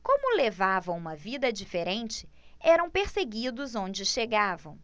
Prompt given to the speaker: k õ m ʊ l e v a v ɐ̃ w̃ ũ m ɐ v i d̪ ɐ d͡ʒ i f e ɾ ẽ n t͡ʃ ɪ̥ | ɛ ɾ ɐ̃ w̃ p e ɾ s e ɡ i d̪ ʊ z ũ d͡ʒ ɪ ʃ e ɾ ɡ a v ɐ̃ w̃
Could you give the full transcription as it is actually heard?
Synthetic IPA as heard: k õ m ʊ l e v a v ɐ̃ w̃ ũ m ɐ v i d̪ ɐ d͡ʒ i f e ɾ ẽ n t͡ʃ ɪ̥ | ɛ ɾ ɐ̃ w̃ p e ɾ s e ɡ i d̪ ʊ z õ d͡ʒ ɪ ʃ e ɡ a v ɐ̃ w̃